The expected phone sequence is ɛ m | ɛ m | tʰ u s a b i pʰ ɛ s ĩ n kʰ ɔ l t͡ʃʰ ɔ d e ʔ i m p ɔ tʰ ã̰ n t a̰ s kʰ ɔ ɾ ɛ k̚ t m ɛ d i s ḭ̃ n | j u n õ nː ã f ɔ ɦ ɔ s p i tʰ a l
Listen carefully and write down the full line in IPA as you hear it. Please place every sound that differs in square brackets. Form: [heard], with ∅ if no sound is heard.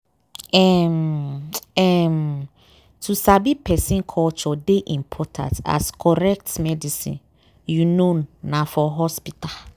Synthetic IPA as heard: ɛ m | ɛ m | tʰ u s a b i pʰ ɛ s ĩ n kʰ ɔ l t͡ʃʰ ɔ d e ʔ i m [pʰ] ɔ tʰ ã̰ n t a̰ s kʰ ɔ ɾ ɛ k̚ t m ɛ d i s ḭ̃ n | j u n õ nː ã f ɔ ɦ ɔ s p i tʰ a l